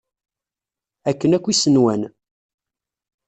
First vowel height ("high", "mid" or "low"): low